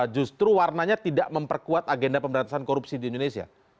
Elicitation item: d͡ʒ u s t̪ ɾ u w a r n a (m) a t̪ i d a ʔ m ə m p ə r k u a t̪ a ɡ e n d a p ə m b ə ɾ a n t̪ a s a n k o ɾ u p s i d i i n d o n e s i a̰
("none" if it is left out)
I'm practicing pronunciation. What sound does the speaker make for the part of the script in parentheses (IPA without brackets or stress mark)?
ɲ